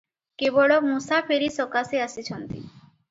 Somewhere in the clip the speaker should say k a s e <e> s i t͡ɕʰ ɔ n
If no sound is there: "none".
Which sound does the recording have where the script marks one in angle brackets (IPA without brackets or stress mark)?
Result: a